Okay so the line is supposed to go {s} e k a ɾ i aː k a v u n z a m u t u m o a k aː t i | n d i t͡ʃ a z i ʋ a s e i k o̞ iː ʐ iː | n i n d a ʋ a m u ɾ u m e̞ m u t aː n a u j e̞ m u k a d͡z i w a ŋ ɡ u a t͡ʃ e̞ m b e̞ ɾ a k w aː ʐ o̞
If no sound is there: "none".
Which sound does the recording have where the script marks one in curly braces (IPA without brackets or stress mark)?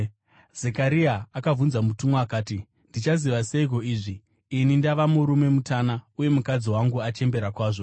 z